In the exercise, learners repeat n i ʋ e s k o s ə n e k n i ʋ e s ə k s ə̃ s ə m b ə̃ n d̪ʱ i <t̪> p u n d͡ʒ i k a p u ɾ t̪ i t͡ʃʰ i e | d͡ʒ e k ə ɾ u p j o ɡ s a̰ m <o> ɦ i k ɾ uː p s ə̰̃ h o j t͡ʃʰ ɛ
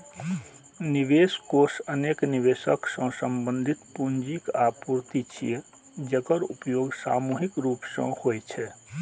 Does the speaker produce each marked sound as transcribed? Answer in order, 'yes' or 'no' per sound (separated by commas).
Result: yes, no